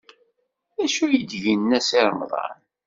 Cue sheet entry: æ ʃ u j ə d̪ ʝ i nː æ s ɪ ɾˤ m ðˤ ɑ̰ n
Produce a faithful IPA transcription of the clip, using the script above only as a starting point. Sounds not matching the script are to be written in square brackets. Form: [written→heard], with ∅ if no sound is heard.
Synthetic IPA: æ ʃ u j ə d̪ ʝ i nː æ s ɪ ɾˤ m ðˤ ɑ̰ n